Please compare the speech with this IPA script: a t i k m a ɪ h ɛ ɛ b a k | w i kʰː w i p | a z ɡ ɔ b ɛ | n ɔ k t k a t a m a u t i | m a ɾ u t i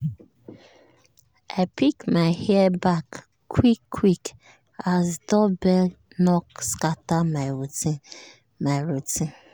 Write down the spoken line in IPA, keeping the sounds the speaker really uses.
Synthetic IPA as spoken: a p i k m a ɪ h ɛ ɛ b a k | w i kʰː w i k | a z d ɔ b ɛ | n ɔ k s k a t a m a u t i | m a ɾ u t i

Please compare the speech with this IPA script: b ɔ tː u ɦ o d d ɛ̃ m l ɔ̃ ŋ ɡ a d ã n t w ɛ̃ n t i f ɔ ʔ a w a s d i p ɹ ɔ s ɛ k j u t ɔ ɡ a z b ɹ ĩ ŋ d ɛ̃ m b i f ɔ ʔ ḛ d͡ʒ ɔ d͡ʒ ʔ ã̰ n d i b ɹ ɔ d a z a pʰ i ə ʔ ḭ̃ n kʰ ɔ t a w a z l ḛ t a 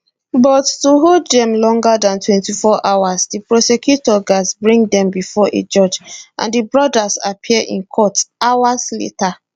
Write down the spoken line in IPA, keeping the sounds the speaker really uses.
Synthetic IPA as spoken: b ɔ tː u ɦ o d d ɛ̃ m l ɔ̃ ŋ ɡ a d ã n t w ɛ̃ n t i f ɔ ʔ a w a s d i p ɹ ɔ s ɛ k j u t ɔ ɡ a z b ɹ ĩ ŋ d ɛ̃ m b i f ɔ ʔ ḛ d͡ʒ ɔ d͡ʒ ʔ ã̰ n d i b ɹ ɔ d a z a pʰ i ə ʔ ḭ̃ n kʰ ɔ t a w a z l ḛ t a

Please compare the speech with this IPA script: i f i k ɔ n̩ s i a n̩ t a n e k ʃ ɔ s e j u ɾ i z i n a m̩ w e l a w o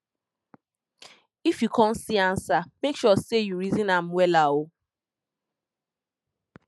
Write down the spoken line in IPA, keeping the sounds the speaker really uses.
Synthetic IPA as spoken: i f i k ɔ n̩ s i a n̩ s a m e k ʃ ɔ s e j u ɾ i z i n a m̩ w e l a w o

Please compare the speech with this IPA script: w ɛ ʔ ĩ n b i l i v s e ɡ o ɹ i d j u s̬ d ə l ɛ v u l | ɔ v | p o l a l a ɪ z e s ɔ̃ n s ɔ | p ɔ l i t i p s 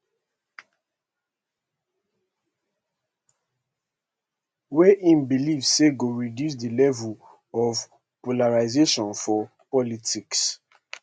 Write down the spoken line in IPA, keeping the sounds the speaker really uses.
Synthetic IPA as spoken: w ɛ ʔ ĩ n b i l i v s e ɡ o ɹ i d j u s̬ d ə l ɛ v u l | ɔ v | p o l a ɹ a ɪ z e ʃ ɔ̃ n f ɔ | p ɔ l i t i k s

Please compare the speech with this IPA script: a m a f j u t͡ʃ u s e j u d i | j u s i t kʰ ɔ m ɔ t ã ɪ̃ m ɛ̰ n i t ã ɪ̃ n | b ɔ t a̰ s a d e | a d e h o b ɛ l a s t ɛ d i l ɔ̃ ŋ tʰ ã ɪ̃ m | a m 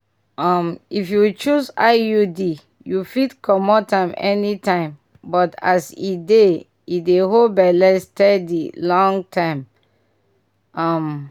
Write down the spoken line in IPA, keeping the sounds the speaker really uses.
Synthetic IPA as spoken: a m i f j u t͡ʃ u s a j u d i | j u f i t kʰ ɔ m ɔ t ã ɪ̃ m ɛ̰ n i t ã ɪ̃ m | b ɔ t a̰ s i d e | i d e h o b ɛ l ɛ s t ɛ d i l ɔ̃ ŋ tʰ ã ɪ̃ m | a m

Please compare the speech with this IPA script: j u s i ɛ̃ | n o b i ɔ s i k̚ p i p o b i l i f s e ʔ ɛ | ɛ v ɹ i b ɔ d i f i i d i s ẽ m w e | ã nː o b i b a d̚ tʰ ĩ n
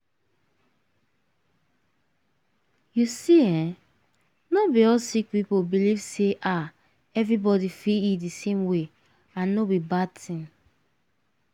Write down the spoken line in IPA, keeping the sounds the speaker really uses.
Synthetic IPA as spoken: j u s i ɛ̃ | n o b i ɔ s i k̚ p i p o b i l i v s e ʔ a | ɛ v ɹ i b ɔ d i f i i d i s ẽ m w e | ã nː o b i b a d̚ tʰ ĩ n

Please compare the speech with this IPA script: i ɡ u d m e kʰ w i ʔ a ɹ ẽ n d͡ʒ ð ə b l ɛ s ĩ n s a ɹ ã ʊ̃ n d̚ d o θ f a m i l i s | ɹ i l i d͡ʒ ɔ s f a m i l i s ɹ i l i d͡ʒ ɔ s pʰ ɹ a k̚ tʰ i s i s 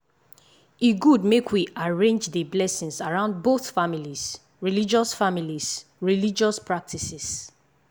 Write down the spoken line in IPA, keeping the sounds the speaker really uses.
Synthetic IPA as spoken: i ɡ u d m e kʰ w i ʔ a ɹ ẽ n d͡ʒ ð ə b l ɛ s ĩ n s a ɹ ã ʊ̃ n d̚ b o θ f a m i l i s | ɹ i l i d͡ʒ ɔ s f a m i l i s ɹ i l i d͡ʒ ɔ s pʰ ɹ a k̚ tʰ i s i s

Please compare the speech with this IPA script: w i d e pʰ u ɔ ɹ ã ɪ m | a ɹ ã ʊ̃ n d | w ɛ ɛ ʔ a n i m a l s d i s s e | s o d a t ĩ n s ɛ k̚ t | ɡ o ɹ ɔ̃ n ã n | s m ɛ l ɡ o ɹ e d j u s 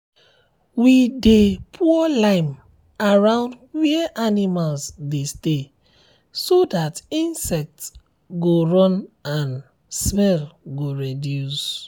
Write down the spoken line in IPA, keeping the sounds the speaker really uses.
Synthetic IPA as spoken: w i d e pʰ u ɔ l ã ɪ m | a ɹ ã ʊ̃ n d | w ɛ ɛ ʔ a n i m a l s d e s t e | s o d a t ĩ n s ɛ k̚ t | ɡ o ɹ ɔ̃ n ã n | s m ɛ l ɡ o ɹ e d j u s

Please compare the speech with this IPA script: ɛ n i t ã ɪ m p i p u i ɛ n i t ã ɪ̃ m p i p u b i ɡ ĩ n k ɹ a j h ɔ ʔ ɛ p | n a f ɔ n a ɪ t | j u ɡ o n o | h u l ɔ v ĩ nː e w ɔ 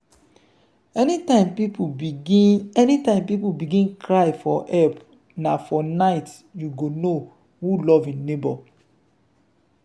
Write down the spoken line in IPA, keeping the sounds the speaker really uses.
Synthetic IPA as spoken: ɛ n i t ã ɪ m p i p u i ɛ n i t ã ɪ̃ m p i p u b i ɡ ĩ n k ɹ a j f ɔ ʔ ɛ p | n a f ɔ n a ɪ t | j u ɡ o n o | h u l ɔ v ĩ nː e b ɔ

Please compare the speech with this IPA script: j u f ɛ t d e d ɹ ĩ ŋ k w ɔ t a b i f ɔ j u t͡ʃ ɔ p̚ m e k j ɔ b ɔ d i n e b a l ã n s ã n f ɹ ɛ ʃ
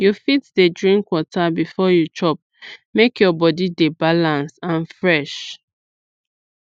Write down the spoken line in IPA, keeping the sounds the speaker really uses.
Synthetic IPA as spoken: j u f i t d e d ɹ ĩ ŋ k w ɔ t a b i f ɔ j u t͡ʃ ɔ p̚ m e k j ɔ b ɔ d i d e b a l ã n s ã n f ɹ ɛ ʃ

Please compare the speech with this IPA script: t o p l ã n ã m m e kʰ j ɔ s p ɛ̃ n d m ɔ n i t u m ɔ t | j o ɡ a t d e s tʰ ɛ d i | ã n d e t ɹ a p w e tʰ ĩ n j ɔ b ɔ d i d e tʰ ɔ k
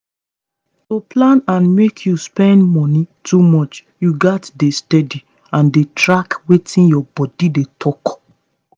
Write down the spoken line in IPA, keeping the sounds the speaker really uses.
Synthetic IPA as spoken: t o p l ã n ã n m e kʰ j u s p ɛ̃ n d m ɔ n i t u m ɔ t͡ʃ | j u ɡ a t d e s t ɛ d i | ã n d e t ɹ a k w e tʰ ĩ n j ɔ b ɔ d i d e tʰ ɔ k

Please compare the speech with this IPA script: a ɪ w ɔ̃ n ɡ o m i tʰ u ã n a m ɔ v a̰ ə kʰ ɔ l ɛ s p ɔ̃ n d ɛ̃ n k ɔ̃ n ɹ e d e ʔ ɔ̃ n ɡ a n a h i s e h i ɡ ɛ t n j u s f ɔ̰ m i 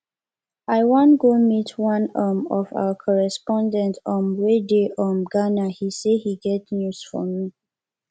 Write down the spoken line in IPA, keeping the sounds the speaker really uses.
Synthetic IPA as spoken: a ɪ w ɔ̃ n ɡ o m i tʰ w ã n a m ɔ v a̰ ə kʰ ɔ ɹ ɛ s p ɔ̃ n d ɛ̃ n t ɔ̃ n ɹ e d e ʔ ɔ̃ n ɡ a n a h i s e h i ɡ ɛ t n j u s f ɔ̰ m i

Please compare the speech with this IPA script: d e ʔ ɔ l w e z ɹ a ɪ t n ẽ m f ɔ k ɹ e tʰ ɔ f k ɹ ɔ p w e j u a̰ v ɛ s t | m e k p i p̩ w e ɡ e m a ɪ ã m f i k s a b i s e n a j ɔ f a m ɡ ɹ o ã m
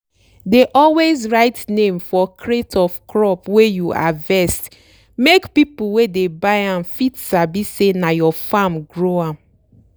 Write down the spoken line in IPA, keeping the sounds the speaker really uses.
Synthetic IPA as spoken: d e ʔ ɔ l w e z ɹ a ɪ t n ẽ m f ɔ k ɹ e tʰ ɔ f k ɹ ɔ p w e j u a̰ v ɛ s t | m e k p i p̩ w e d e b a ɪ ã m f i t s a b i s e n a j ɔ f a m ɡ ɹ o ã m

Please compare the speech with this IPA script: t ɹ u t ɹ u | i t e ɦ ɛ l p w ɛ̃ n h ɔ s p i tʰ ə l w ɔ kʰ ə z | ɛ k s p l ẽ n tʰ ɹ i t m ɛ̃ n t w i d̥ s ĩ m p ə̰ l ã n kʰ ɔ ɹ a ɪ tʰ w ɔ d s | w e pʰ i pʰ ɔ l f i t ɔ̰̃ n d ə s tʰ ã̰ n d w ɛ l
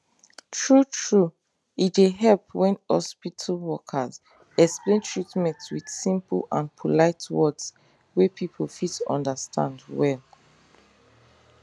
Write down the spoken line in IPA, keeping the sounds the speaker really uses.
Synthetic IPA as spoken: t ɹ u t ɹ u | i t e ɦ ɛ l p w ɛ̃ n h ɔ s p i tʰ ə l w ɔ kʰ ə z | ɛ k s p l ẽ n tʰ ɹ i t m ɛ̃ n t w i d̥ s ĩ m p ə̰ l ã n pʰ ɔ l a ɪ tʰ w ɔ d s | w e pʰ i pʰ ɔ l f i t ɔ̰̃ n d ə s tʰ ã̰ n d w ɛ l

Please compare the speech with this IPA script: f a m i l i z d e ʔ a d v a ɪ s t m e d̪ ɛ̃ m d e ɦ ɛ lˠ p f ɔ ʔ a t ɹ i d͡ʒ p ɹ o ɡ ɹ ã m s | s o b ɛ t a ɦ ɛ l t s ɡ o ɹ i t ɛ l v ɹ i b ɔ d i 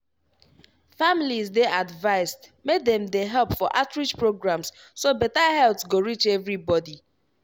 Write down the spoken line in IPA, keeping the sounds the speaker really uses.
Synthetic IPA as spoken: f a m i l i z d e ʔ a d v a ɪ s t m e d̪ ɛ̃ m d e ɦ ɛ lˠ p f ɔ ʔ a t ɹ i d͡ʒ p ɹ o ɡ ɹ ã m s | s o b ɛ t a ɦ ɛ l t s ɡ o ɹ i t͡ʃ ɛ v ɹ i b ɔ d i

